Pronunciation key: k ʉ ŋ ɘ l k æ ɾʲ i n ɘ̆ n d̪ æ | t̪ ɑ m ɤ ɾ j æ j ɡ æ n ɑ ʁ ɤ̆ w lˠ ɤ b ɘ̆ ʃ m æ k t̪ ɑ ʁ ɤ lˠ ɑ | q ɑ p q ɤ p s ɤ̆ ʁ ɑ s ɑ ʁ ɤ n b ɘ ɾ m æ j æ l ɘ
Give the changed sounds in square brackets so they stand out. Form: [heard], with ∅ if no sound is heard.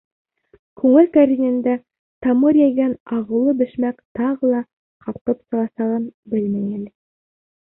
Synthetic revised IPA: k ʉ ŋ ɘ l k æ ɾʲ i n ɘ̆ n d̪ æ | t̪ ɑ m ɤ ɾ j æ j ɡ æ n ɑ ʁ ɤ̆ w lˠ ɤ b ɘ̆ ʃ m æ k t̪ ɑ ʁ ɤ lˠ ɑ | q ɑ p q ɤ p s ɤ̆ ʁ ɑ s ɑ ʁ ɤ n b ɘ [l] m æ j æ l ɘ